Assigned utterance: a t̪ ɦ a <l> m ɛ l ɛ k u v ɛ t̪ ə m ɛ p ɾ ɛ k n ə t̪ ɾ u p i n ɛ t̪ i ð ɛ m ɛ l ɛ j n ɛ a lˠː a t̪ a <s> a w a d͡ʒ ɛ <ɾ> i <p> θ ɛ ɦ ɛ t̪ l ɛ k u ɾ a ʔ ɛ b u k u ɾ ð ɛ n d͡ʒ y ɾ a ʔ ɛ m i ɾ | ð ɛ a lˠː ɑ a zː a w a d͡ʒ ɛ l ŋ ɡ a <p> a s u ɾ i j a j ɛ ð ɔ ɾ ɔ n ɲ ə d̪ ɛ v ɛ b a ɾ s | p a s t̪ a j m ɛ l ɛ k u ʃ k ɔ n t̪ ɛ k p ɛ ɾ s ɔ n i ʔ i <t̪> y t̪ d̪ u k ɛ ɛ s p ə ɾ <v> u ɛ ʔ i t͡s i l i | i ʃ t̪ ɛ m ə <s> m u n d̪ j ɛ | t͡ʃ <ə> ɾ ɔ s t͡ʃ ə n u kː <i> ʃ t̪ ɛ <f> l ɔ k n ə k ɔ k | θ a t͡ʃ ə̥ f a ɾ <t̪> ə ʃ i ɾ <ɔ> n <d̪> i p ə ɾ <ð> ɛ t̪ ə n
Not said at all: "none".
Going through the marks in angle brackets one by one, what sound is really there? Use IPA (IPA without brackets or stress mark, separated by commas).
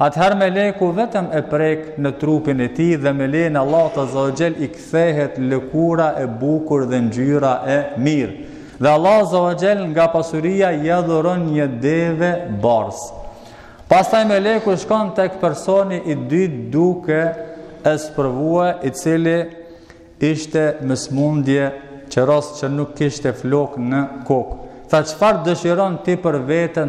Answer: ɾ, z, l, k, p, d̪, v, s, ə, i, f, d̪, ɔ, t̪, v